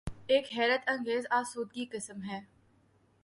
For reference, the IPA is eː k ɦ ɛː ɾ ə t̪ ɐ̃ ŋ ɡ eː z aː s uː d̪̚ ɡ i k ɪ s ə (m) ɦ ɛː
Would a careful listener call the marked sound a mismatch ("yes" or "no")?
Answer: no